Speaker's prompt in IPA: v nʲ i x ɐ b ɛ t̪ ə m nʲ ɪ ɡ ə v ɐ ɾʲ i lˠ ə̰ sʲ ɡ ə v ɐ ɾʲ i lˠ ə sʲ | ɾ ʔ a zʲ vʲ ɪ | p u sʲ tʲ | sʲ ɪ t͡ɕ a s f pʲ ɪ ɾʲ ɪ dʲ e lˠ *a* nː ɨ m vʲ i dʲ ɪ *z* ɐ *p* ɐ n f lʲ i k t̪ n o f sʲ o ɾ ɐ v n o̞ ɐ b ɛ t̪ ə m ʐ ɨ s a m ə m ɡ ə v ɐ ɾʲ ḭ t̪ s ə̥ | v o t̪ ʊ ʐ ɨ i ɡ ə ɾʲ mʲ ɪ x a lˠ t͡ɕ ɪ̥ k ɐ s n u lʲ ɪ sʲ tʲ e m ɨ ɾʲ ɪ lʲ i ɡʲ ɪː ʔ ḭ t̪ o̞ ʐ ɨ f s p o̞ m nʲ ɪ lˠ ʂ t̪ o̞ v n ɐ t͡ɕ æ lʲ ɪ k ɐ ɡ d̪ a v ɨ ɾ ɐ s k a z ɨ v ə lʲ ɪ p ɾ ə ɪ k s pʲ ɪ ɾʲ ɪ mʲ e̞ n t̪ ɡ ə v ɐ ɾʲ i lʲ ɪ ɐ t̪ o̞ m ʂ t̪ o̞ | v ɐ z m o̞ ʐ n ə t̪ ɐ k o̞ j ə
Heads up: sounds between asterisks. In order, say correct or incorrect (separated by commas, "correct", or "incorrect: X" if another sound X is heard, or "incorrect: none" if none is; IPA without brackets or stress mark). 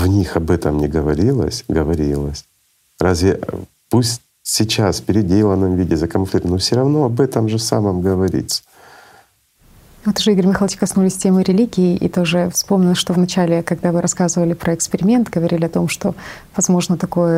incorrect: ə, correct, incorrect: k